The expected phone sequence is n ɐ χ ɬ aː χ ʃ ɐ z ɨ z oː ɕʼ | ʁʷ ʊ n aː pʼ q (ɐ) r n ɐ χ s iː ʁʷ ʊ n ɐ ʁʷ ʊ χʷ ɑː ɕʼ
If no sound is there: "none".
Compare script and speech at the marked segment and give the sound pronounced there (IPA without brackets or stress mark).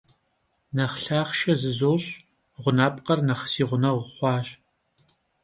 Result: ɐ